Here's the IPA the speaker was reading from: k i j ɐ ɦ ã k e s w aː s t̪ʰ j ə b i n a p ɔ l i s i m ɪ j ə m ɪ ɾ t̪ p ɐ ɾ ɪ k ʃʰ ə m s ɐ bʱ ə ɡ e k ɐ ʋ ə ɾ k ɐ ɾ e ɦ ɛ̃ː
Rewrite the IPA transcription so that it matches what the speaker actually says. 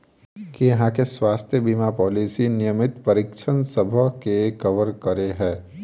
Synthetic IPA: k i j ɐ ɦ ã k e s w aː s t̪ʰ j ə b i m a p ɔː l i s i n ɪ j ə m ɪ t̪ p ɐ ɾ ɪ k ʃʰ ə n s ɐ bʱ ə k e k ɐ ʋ ə ɾ k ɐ ɾ e ɦ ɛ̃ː